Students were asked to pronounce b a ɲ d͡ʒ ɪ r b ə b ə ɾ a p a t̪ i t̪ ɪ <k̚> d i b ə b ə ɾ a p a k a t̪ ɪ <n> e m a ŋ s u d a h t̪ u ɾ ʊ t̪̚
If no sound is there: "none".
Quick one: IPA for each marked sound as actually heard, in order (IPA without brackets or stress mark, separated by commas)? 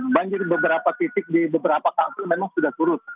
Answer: k̚, m